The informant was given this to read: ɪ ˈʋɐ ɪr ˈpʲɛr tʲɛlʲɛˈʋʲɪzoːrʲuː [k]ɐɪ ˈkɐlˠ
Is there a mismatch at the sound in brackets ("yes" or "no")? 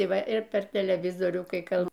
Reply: no